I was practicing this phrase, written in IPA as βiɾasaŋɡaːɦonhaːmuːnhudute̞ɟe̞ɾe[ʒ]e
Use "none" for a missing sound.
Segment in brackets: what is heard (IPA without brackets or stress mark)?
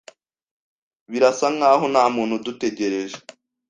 ʒ